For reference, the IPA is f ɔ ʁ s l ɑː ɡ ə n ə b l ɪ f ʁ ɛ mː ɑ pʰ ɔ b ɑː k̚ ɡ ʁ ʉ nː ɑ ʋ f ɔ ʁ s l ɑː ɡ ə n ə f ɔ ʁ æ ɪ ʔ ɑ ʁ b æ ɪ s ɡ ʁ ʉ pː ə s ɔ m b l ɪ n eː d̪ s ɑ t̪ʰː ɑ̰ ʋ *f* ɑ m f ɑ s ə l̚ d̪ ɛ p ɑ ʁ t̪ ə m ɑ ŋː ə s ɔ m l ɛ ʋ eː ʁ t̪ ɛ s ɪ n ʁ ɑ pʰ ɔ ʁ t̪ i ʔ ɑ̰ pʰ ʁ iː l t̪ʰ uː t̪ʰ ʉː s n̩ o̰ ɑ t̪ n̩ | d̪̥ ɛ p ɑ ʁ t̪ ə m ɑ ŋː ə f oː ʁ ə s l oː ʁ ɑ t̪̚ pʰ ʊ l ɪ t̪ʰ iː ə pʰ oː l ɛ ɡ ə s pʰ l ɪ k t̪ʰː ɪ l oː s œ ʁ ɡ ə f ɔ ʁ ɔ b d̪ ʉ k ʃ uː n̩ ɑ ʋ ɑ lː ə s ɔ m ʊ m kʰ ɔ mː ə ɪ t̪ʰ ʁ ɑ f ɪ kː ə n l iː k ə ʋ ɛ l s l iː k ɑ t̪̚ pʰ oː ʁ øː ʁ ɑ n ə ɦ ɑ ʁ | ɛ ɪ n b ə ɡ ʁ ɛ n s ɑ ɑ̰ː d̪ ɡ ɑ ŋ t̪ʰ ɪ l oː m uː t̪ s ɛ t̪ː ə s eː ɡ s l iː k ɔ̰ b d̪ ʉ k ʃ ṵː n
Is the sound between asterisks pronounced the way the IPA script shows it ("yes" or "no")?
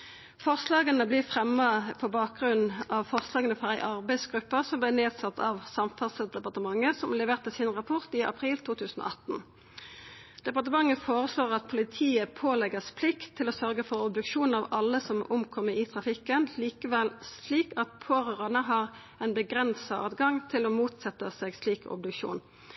no